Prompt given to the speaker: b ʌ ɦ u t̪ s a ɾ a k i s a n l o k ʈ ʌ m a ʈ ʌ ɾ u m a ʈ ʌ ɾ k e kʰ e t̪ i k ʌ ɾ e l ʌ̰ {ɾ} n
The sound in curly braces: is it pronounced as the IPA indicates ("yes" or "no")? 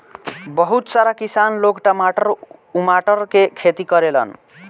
no